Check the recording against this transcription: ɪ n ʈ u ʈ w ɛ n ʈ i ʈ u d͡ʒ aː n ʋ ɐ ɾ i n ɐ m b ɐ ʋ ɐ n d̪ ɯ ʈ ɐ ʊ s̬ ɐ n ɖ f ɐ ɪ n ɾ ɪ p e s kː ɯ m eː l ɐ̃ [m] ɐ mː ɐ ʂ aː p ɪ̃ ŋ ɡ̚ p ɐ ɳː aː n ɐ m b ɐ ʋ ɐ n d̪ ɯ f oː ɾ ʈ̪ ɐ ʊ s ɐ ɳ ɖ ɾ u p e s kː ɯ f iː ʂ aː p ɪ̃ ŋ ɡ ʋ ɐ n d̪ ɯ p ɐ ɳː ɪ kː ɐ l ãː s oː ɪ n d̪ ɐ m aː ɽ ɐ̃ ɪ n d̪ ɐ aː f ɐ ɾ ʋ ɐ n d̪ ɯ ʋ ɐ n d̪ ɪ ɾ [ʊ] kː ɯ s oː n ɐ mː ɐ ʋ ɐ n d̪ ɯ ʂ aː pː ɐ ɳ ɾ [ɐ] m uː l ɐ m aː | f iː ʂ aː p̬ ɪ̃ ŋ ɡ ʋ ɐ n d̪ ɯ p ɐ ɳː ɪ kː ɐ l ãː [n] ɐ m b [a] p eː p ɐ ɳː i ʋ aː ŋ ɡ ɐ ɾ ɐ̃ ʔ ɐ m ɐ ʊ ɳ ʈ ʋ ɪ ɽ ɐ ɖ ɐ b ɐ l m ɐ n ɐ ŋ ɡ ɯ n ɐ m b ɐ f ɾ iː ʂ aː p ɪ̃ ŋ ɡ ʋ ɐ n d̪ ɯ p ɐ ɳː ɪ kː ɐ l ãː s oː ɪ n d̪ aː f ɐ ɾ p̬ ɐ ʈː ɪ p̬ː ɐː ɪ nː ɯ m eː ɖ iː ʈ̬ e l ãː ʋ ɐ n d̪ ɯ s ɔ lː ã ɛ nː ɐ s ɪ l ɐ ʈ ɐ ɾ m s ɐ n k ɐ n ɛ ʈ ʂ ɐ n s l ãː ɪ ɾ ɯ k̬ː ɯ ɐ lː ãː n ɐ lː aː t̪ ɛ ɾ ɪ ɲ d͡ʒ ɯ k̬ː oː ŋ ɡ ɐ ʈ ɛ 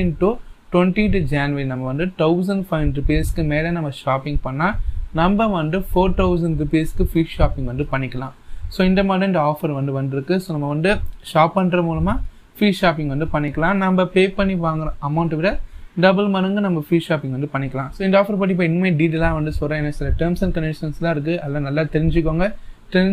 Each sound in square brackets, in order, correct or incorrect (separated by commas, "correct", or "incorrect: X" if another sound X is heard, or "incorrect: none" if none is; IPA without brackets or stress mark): incorrect: n, incorrect: ɯ, correct, correct, incorrect: ɐ